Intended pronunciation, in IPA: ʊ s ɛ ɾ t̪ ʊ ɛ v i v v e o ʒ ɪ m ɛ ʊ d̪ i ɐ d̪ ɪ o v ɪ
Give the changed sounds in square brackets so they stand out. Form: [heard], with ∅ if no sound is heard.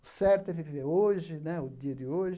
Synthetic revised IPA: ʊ s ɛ ɾ t̪ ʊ ɛ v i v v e o ʒ ɪ [n] ɛ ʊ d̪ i ɐ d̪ ɪ o [ʒ] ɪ